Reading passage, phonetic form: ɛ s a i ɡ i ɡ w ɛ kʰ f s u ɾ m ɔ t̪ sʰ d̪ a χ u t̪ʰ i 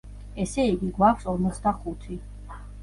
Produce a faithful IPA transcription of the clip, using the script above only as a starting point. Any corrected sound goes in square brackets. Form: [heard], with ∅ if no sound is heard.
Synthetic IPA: ɛ s [ɛ] i ɡ i ɡ w [a] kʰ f s [ɔ] ɾ m ɔ t̪ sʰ d̪ a χ u t̪ʰ i